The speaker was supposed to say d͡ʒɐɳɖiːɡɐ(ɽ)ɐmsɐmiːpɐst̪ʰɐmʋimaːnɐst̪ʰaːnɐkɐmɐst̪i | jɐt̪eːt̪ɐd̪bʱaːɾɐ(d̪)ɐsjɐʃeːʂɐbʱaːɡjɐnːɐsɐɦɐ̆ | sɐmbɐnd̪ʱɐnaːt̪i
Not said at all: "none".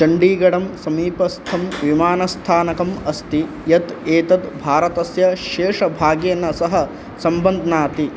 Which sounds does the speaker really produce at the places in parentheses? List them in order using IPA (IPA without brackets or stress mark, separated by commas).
ɽ, t̪